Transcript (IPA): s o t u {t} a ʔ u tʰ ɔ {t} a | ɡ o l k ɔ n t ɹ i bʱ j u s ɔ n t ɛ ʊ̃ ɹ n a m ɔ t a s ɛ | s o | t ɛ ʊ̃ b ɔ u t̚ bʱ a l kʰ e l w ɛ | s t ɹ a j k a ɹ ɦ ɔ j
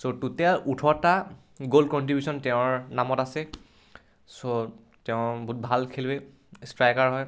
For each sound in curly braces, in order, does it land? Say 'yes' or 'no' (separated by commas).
yes, yes